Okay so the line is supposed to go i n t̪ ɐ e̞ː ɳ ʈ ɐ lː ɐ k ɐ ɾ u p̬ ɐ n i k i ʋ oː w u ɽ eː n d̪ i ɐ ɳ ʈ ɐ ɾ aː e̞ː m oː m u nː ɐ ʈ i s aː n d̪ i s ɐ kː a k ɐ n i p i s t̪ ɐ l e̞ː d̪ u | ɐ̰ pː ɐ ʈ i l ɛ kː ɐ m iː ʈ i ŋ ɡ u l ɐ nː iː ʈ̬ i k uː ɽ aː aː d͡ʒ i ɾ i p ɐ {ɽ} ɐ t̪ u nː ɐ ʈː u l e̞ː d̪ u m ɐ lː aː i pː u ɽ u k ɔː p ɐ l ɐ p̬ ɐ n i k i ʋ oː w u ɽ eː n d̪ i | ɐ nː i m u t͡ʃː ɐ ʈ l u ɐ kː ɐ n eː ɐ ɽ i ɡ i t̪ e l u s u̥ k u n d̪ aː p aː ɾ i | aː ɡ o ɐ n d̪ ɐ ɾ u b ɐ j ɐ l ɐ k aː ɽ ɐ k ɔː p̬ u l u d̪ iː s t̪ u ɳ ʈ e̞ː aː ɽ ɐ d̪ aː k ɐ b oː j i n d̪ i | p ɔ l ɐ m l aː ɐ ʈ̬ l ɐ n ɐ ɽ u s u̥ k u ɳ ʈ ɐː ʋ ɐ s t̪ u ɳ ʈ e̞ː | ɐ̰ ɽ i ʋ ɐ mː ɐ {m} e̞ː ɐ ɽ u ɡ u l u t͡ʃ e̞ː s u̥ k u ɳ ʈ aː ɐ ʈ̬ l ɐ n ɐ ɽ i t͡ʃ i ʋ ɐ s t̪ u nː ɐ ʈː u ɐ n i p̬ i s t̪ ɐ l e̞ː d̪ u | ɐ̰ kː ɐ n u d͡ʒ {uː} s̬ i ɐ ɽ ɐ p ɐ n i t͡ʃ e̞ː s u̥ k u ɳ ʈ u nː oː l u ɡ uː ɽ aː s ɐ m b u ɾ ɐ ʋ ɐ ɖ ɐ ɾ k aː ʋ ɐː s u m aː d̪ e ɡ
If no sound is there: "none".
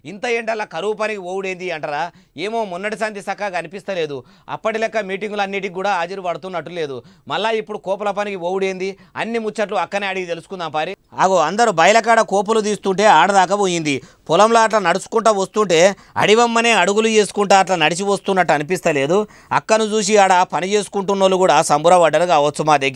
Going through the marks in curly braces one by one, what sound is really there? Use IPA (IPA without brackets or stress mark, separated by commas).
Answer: ɽ, n, uː